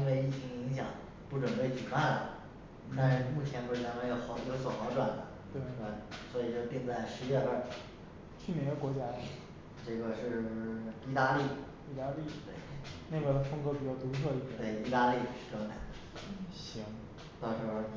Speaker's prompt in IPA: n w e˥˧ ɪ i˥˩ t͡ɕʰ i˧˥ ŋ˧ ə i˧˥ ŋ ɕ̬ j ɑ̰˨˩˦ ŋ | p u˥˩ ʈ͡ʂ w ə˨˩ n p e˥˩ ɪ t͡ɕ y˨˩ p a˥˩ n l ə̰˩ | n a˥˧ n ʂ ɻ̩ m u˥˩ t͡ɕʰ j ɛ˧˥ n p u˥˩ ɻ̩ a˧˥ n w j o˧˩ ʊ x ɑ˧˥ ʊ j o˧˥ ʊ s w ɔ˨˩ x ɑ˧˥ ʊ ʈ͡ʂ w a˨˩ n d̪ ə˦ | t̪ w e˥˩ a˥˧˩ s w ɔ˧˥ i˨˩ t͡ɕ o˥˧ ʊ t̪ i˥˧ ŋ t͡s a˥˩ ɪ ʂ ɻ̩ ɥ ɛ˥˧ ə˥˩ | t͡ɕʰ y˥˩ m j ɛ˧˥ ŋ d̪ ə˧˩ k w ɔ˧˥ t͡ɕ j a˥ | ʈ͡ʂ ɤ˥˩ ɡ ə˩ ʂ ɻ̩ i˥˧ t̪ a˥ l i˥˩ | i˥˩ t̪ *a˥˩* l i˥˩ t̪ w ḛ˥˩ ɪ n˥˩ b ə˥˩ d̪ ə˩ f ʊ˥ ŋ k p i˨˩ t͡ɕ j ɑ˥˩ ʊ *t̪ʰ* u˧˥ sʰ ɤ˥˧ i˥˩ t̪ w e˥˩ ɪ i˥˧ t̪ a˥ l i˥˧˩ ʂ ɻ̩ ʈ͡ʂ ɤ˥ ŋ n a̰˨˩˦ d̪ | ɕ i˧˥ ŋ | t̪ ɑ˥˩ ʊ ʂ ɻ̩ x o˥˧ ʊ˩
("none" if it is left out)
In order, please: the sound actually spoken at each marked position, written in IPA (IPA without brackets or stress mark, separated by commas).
a˥, t̪